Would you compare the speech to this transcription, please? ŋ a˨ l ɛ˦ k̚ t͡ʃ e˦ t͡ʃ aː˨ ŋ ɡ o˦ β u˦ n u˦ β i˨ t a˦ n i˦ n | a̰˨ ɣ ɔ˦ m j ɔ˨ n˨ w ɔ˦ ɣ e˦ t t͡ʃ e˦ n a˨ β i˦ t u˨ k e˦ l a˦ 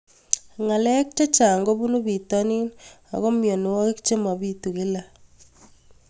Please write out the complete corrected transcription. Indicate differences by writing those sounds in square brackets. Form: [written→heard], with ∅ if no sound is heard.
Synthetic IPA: ŋ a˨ l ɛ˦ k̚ t͡ʃ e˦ t͡ʃ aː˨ ŋ ɡ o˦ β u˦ n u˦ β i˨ t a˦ n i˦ n | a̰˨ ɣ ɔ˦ m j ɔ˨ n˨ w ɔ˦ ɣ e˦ [t→k] t͡ʃ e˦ [n→m] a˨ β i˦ t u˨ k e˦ l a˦